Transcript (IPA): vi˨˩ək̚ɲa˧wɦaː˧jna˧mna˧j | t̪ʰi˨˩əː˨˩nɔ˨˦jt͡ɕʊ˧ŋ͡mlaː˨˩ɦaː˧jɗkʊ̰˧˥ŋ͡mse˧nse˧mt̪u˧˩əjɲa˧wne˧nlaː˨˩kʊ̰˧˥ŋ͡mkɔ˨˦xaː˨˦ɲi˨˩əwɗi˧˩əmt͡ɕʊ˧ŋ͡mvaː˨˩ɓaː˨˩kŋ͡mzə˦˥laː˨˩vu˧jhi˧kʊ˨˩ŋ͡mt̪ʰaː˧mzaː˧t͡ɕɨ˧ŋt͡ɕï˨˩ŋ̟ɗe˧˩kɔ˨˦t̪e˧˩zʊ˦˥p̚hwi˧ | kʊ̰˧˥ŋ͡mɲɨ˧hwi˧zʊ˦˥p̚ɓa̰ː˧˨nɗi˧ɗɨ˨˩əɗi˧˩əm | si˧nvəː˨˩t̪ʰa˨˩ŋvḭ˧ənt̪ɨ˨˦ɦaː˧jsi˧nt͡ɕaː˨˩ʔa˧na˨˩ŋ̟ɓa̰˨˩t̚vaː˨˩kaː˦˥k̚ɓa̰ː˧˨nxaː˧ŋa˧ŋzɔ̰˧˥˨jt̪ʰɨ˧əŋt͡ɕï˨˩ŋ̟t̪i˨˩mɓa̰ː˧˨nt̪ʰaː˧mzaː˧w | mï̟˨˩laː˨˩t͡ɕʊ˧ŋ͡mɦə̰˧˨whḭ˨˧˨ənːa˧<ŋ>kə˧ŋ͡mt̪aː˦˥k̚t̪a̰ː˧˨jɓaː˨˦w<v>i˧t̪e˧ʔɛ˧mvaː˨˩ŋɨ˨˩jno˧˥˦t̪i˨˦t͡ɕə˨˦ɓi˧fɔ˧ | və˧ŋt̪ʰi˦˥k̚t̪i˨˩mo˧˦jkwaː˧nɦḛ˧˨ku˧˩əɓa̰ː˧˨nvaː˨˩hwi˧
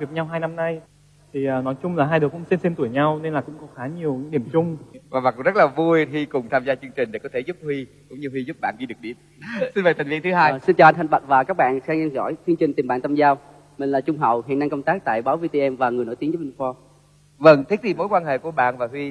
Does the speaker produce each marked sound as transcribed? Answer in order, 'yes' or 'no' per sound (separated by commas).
yes, yes